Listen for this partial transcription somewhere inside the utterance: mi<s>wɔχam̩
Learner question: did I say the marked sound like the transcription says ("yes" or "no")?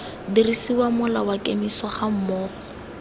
yes